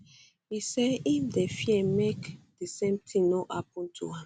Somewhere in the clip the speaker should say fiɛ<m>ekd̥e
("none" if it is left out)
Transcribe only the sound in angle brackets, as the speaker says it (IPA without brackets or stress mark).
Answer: m